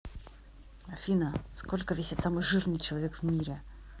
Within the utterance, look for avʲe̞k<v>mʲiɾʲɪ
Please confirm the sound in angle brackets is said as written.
yes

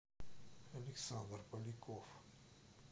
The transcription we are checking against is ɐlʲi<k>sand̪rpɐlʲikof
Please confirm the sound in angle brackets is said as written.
yes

